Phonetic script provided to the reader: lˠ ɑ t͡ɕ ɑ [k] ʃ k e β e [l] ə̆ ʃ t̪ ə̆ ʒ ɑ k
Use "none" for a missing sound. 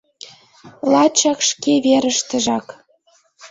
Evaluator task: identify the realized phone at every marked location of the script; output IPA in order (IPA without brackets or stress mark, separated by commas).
k, ɾ